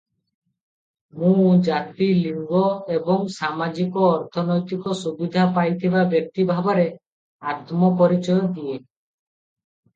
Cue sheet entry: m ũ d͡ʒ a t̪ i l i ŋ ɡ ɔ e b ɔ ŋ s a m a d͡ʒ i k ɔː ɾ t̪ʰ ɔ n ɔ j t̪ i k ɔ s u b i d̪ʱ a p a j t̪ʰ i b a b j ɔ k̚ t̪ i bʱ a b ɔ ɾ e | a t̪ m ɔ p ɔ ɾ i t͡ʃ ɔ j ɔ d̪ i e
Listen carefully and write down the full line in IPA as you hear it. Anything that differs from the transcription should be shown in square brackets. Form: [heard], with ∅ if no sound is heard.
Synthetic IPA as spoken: m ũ d͡ʒ a t̪ i l i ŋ ɡ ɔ e b ɔ ŋ s a m a d͡ʒ i k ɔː ɾ t̪ʰ ɔ n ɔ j t̪ i k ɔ s u b i d̪ʱ a p a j t̪ʰ i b a b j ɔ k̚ t̪ i bʱ a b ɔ ɾ e | a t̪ m ɔ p ɔ ɾ i t͡ʃ ɔ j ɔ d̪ i e